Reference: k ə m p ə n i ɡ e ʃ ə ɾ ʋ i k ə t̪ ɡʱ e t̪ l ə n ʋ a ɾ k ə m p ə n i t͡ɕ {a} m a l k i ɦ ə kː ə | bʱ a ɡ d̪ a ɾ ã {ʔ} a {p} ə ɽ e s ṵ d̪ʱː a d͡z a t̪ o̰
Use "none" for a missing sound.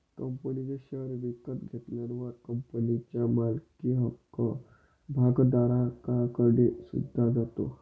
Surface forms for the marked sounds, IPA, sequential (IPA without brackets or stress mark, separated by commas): a, k, k